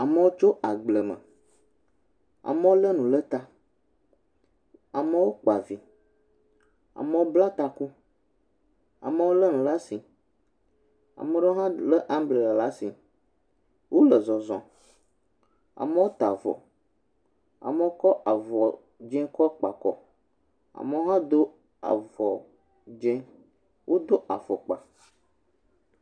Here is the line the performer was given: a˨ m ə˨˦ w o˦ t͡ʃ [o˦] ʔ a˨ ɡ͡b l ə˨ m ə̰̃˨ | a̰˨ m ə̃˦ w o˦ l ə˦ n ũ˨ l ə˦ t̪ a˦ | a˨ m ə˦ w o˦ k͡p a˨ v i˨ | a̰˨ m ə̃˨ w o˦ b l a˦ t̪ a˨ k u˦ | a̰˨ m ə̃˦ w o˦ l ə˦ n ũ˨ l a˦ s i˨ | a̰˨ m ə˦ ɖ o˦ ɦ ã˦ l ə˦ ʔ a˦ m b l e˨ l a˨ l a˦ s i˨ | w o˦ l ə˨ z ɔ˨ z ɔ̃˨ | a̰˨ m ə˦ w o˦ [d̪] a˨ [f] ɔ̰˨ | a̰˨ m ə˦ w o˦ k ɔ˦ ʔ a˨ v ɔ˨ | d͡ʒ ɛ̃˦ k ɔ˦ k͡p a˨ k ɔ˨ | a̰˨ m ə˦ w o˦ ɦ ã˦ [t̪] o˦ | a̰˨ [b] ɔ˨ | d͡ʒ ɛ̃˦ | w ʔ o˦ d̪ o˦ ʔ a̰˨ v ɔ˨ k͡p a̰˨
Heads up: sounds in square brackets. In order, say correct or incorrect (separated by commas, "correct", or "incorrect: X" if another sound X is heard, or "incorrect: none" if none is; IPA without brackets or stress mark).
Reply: correct, incorrect: t̪, incorrect: v, incorrect: d̪, incorrect: v